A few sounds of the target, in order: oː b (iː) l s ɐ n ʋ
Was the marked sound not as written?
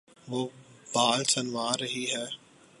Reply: yes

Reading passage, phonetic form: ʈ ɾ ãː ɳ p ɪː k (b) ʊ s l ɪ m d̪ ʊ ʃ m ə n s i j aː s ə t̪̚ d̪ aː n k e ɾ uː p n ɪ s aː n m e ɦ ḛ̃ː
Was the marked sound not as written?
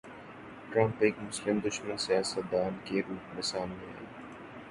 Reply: yes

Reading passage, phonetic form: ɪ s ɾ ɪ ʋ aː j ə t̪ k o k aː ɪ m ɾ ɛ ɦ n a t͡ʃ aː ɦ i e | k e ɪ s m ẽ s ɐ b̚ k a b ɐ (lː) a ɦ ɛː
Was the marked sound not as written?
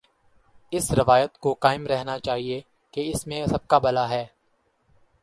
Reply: yes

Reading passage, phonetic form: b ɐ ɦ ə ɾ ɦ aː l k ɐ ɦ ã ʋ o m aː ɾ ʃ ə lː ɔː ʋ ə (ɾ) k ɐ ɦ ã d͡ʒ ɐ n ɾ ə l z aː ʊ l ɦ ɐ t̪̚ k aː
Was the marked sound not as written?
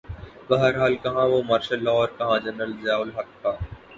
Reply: no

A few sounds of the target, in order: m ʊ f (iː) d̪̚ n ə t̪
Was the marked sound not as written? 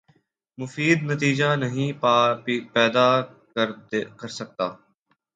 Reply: no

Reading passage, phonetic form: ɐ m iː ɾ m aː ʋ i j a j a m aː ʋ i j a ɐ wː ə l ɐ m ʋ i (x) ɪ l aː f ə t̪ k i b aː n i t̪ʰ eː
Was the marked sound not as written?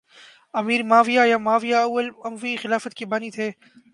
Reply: no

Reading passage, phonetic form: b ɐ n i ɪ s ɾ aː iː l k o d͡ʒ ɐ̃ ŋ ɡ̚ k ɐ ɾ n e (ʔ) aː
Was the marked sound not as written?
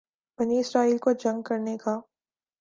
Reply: yes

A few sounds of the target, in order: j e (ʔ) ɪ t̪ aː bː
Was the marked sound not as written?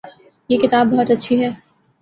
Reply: yes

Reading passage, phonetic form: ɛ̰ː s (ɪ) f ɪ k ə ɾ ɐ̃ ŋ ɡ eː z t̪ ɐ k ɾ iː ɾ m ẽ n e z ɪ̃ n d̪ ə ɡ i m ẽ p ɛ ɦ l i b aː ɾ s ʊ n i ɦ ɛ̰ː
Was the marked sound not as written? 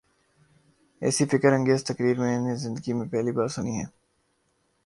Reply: yes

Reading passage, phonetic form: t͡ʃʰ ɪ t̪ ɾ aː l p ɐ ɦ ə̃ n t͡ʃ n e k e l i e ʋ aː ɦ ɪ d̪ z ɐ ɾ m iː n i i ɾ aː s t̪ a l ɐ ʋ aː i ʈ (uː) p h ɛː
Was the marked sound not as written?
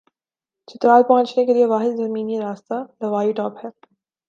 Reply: yes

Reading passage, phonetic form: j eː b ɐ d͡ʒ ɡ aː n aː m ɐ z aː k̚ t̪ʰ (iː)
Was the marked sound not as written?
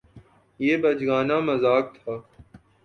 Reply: yes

